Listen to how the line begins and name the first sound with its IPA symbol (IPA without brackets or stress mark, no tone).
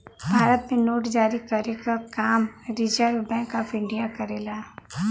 bʱ